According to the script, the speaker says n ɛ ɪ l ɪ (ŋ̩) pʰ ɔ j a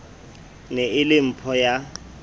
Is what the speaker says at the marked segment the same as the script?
no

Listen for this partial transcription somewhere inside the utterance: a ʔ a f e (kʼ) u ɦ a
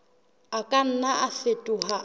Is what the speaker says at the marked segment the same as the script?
no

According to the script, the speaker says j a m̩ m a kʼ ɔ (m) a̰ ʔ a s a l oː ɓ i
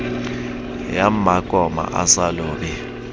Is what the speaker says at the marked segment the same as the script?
yes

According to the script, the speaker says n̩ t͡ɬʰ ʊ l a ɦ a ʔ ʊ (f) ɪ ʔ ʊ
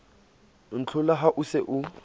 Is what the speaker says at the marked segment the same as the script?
no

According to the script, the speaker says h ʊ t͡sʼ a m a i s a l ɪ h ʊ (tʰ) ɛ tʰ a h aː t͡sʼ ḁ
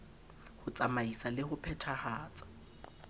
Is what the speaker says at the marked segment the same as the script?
no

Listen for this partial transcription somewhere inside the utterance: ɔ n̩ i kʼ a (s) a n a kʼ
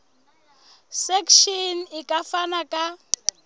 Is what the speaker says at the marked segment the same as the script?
no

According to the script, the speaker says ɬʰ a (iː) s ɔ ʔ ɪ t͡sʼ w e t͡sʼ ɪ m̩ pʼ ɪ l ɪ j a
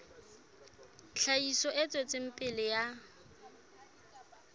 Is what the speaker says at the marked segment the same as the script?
no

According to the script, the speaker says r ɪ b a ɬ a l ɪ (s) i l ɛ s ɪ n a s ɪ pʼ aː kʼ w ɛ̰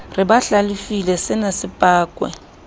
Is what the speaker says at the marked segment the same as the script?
no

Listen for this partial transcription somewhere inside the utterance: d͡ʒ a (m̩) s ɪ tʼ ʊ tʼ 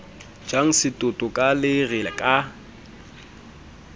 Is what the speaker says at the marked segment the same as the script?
no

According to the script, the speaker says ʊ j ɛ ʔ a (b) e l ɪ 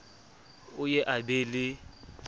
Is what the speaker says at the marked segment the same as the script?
yes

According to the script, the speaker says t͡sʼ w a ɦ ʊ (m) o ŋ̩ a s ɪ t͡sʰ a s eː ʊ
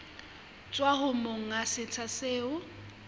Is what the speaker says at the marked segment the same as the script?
yes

